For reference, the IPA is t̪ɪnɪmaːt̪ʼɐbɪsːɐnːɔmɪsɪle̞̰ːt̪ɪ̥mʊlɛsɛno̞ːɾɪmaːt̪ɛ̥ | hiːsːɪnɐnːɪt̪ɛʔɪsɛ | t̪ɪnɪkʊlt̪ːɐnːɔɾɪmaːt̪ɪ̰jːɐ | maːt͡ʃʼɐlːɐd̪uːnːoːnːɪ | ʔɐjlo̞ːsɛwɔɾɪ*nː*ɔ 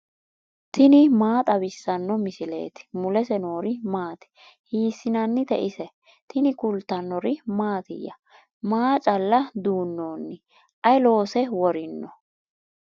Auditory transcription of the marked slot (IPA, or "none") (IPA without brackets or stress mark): nː